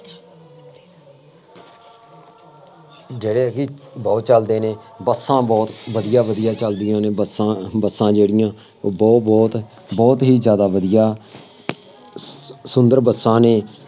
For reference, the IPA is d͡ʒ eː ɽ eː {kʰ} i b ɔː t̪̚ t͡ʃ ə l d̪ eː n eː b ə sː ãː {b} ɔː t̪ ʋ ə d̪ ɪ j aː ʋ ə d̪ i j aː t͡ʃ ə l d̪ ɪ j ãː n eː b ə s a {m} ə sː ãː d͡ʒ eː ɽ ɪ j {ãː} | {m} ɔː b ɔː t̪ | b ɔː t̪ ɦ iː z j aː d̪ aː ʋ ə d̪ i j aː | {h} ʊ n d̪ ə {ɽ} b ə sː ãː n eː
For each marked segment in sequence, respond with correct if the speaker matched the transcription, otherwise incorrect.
incorrect: k, correct, incorrect: b, correct, incorrect: b, incorrect: s, incorrect: ɾ

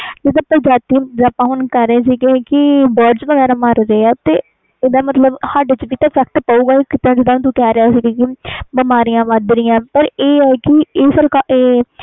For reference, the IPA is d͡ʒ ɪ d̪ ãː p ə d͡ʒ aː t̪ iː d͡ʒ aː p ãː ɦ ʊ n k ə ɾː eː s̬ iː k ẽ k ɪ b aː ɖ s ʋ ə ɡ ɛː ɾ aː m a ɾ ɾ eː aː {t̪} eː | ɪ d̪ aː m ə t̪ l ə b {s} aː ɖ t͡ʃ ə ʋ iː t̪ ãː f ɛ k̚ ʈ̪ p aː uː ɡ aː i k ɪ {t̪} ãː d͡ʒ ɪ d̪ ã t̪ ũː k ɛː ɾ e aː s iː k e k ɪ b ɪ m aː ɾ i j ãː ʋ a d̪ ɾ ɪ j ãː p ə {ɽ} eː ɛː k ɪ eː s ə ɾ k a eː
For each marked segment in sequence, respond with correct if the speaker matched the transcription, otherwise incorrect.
correct, incorrect: h, correct, incorrect: ɾ

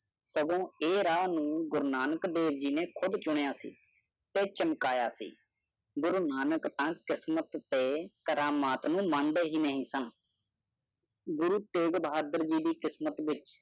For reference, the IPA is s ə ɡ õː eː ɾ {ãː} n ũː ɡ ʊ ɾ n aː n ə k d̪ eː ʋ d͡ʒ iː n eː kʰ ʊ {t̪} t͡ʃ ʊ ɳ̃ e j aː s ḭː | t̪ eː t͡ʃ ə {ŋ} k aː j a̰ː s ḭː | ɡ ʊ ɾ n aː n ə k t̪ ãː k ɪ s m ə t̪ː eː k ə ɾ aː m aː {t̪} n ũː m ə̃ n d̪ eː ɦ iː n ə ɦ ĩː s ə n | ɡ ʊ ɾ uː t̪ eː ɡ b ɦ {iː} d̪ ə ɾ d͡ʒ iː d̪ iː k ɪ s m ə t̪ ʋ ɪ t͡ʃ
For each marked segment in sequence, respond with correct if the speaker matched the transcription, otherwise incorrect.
incorrect: aː, incorrect: d̪, incorrect: m, correct, incorrect: aː

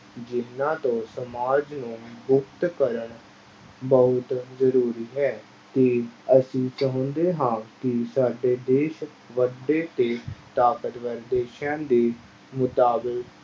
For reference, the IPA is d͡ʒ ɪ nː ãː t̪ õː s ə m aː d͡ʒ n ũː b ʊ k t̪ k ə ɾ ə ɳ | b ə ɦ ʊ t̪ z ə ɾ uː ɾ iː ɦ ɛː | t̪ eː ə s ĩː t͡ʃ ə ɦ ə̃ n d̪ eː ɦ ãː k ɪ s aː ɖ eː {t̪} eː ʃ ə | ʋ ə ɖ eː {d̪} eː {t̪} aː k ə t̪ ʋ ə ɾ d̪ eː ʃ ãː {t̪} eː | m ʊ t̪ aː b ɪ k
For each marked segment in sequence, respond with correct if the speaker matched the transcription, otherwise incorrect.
incorrect: d̪, incorrect: t̪, correct, incorrect: d̪

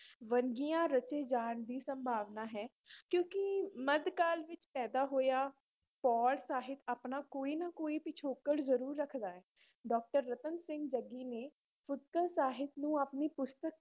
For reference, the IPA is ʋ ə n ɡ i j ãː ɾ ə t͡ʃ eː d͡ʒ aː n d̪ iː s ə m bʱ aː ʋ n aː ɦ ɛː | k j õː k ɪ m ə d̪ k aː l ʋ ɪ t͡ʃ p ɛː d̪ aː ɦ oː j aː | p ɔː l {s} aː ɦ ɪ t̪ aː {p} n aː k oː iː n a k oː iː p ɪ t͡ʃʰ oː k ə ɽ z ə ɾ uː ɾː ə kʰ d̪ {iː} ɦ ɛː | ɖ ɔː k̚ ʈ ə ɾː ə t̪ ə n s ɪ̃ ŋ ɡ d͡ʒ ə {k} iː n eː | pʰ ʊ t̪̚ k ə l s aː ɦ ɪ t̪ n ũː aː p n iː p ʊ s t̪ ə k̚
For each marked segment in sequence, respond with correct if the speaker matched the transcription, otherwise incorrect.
correct, correct, incorrect: aː, incorrect: ɡ

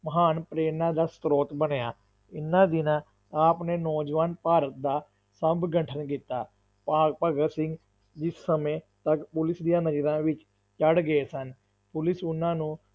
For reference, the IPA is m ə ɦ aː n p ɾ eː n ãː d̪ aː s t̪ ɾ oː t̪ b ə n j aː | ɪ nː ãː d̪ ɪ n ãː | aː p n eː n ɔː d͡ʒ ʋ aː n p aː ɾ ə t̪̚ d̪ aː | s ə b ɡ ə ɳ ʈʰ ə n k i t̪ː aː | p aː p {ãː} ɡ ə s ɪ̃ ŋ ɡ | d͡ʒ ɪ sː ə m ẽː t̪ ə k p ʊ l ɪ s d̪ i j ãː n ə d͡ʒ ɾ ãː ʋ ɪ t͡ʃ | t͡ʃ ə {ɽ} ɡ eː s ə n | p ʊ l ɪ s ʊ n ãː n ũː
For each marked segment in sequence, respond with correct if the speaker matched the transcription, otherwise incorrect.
incorrect: aː, correct

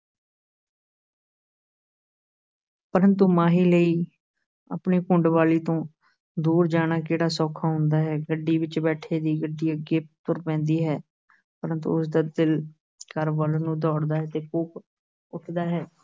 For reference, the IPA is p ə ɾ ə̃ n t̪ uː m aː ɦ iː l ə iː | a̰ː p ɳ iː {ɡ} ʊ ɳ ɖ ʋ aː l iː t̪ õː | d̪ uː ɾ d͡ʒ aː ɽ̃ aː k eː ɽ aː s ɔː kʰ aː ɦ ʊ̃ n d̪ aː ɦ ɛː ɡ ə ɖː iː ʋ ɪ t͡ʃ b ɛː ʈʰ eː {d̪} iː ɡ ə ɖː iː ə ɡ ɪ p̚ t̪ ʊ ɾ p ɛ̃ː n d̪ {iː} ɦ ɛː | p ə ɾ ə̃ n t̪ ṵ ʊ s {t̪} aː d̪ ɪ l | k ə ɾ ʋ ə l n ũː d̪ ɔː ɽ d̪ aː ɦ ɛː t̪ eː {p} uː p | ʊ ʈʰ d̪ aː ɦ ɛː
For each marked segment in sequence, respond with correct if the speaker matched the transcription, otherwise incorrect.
incorrect: k, correct, correct, incorrect: d̪, incorrect: k

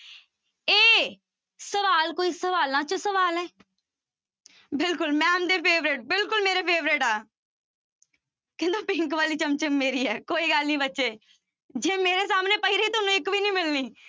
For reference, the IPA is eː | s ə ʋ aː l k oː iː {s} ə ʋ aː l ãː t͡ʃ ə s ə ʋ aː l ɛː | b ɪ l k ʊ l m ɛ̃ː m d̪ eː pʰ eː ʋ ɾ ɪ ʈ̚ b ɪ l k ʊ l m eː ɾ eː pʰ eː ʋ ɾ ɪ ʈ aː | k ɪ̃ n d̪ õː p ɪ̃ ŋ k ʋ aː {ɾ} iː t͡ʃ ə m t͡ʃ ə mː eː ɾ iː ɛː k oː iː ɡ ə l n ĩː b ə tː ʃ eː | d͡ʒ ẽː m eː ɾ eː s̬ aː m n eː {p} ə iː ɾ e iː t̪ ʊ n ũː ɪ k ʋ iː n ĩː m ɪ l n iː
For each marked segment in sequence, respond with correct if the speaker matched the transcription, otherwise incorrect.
correct, incorrect: l, correct

